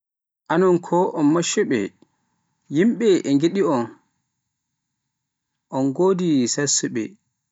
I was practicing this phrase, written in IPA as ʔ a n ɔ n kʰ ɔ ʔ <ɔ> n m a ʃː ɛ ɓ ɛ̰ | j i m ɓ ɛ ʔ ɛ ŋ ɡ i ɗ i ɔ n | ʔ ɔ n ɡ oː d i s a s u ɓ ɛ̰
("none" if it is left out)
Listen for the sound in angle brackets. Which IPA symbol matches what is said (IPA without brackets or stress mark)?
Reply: ɔ